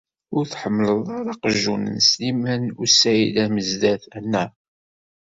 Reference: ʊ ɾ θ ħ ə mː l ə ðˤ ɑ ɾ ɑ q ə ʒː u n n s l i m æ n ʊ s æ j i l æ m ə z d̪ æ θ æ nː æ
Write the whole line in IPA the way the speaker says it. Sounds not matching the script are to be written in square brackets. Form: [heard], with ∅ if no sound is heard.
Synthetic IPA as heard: ʊ ɾ θ ħ ə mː l ə ðˤ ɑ ɾ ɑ q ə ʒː u n n s l i m æ n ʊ s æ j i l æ m ə z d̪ æ θ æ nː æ